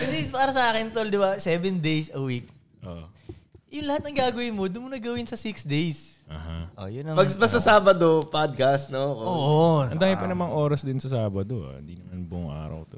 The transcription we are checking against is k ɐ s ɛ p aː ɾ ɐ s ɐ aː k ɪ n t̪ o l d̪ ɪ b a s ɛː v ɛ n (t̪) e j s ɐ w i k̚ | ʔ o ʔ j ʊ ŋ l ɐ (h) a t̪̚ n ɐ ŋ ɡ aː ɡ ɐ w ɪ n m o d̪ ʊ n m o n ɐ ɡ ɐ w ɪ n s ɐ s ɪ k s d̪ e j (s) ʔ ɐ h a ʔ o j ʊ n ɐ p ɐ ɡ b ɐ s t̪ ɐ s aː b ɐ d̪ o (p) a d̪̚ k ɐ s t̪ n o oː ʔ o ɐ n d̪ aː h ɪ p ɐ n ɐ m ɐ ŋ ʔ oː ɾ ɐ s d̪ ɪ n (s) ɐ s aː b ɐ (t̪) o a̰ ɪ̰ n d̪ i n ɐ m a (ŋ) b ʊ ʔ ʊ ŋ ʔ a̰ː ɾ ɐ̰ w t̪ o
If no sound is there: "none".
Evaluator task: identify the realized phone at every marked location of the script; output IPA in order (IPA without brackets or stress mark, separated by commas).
d̪, h, s, p, s, d̪, n